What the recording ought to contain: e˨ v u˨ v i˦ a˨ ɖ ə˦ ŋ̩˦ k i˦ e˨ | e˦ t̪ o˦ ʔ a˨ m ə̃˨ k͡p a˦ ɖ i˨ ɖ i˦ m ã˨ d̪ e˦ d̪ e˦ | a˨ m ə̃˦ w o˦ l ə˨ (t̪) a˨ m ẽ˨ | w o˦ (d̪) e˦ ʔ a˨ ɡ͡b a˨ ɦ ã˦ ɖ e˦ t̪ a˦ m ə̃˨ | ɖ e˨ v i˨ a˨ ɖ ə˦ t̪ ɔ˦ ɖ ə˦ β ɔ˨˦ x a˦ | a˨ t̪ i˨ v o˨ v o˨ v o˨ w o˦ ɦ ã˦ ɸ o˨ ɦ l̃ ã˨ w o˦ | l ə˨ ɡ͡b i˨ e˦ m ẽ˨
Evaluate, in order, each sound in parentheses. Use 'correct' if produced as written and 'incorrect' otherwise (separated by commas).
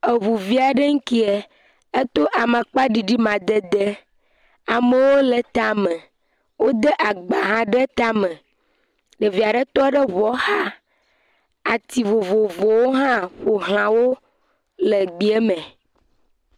correct, correct